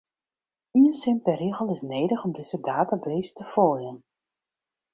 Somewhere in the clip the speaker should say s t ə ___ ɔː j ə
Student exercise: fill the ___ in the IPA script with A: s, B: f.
B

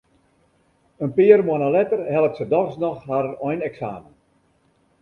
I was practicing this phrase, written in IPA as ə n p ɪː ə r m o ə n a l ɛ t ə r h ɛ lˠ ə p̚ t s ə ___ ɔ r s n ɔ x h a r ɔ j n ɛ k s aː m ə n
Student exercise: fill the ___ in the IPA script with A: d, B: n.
A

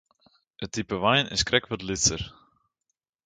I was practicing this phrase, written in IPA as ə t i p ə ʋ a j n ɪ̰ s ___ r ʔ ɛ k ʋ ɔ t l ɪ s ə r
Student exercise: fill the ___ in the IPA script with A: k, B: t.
A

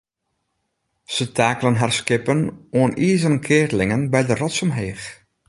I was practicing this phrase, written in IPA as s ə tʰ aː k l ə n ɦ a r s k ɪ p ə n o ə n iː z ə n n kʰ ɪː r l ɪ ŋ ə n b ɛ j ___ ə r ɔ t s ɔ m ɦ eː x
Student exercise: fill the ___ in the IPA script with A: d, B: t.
A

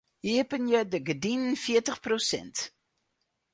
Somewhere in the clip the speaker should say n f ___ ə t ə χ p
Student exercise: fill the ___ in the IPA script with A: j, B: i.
B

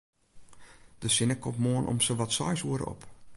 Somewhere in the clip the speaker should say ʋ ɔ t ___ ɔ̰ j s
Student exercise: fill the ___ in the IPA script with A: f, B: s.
B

